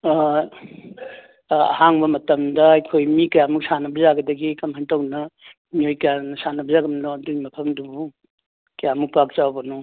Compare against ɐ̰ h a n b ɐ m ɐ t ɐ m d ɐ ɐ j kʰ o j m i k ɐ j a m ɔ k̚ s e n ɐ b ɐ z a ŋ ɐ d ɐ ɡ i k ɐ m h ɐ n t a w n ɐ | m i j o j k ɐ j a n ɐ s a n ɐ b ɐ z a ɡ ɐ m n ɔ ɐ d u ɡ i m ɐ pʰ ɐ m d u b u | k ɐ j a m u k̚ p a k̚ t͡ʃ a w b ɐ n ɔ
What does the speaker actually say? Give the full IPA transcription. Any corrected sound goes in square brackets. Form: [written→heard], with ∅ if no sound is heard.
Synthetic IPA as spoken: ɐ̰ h a [n→ŋ] b ɐ m ɐ t ɐ m d ɐ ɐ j kʰ o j m i k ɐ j a m [ɔ→u] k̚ s [e→a] n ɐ b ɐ z a [ŋ→ɡ] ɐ d ɐ ɡ i k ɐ m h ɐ n t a w n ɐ | m i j o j k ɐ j a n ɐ s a n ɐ b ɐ z a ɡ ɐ m n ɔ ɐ d u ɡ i m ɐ pʰ ɐ m d u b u | k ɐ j a m u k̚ p a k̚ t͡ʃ a w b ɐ n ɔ